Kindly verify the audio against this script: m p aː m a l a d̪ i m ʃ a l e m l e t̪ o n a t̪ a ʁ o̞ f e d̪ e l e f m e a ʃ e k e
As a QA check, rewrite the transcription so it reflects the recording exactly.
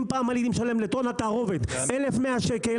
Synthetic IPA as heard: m p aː m a l i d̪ i m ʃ a l e m l e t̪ o n a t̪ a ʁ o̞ v e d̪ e l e f m e a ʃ e k e